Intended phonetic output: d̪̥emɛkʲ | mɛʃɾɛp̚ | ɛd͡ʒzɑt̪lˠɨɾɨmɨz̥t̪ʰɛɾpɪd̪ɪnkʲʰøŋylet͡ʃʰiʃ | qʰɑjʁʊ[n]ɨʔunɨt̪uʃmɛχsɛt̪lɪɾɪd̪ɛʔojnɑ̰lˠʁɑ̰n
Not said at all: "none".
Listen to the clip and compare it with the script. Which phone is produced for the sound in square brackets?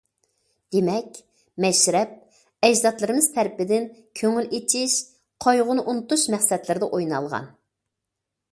n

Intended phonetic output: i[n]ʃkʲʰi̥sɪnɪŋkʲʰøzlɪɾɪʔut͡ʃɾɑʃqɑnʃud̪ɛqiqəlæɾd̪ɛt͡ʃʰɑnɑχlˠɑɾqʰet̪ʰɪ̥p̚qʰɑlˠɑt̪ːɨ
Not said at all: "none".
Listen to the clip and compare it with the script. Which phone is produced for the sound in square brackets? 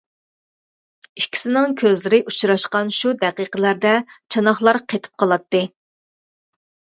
none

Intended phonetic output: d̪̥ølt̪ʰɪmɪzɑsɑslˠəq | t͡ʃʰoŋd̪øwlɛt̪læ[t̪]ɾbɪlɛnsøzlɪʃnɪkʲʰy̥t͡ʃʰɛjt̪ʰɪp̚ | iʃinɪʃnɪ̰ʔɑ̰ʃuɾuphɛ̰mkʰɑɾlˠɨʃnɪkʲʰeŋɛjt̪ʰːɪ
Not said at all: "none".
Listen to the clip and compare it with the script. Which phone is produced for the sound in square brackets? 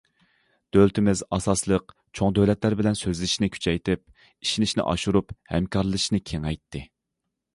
none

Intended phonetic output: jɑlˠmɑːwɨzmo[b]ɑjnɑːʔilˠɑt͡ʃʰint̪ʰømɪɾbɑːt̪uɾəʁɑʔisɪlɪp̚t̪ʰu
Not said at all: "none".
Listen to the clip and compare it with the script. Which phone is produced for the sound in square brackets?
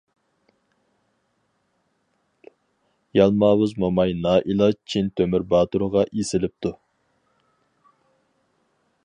m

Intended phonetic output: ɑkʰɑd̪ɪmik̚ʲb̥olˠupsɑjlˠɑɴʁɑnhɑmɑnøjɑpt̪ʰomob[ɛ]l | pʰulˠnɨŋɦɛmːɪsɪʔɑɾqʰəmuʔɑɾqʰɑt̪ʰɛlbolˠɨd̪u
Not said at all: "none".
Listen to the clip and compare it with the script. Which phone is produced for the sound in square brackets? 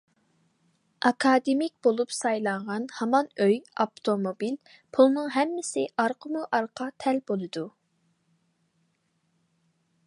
i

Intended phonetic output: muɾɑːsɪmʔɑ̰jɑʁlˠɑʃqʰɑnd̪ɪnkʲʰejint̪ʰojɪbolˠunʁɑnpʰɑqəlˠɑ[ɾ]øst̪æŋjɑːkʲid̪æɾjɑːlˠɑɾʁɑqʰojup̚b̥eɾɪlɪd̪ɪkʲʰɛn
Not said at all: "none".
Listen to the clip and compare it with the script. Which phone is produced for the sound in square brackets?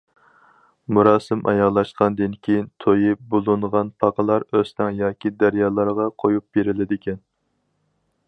ɾ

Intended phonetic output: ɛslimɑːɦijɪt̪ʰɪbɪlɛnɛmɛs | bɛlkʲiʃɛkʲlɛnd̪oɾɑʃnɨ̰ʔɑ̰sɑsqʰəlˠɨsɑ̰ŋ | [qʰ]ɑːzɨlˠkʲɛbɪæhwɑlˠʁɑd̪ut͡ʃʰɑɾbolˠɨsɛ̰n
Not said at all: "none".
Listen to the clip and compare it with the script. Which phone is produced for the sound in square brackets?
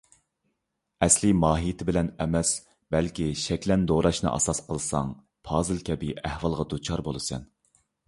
pʰ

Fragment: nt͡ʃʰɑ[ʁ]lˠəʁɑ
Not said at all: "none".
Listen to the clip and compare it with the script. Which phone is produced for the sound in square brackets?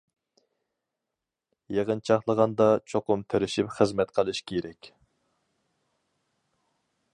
χ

